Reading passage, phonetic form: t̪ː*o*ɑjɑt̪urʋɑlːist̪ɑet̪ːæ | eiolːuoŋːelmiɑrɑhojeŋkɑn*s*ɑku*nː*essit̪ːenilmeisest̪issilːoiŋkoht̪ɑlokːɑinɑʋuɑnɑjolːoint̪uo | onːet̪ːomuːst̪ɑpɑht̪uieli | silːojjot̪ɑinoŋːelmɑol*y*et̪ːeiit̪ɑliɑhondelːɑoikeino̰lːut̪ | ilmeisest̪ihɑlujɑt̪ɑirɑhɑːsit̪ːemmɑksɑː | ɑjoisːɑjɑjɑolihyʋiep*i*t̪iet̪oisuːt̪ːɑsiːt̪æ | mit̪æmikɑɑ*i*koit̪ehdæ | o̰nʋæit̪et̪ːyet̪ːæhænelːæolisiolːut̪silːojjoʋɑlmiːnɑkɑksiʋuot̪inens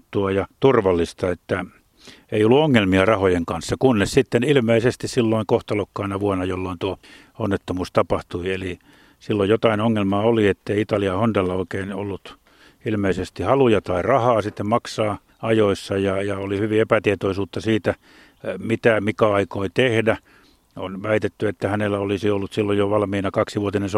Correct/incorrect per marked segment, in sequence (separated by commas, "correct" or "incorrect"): incorrect, incorrect, correct, incorrect, incorrect, correct